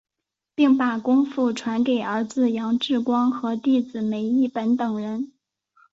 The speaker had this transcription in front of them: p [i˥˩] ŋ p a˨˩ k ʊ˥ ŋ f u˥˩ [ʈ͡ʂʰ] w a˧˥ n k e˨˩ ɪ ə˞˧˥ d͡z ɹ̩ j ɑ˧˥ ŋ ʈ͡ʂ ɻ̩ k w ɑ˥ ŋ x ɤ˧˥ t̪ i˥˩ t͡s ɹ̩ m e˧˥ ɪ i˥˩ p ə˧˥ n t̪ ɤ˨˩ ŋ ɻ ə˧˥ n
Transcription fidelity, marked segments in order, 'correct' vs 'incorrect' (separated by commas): correct, correct